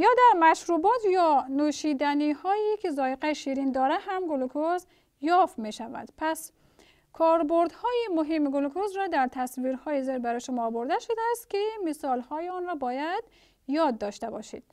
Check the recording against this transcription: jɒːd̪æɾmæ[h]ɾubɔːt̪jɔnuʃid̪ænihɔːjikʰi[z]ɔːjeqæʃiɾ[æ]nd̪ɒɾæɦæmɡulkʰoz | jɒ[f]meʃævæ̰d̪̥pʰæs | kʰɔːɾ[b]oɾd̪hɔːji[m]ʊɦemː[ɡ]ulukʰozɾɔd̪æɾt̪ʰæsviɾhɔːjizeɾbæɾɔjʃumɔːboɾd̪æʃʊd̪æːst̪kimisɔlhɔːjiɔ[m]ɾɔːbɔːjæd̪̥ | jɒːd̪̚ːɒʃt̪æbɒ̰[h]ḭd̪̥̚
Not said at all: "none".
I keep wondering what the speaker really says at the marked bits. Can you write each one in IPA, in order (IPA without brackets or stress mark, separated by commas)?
ʃ, z, i, f, b, m, ɡ, n, ʃ